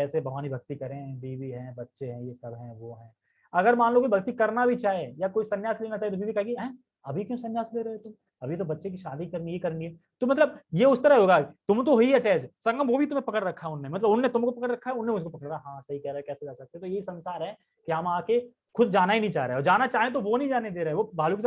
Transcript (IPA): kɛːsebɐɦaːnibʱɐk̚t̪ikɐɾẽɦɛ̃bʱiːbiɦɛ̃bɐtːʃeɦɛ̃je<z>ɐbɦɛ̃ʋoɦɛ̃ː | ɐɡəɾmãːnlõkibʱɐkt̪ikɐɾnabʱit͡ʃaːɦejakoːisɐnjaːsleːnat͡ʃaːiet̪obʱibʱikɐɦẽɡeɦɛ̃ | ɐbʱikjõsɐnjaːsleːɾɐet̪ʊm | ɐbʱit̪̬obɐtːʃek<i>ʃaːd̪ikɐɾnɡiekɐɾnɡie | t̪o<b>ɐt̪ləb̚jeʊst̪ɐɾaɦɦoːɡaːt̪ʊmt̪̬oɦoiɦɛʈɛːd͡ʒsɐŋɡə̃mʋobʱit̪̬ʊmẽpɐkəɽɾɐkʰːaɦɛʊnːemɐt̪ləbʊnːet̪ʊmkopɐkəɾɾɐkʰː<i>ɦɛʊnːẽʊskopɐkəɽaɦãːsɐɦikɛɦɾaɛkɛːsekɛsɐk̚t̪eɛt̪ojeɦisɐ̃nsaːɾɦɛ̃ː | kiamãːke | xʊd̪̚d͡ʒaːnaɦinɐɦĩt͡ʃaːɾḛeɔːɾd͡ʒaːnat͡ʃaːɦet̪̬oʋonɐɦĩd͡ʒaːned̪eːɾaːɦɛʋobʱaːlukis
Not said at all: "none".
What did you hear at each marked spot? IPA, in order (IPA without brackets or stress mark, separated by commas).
s, i, m, a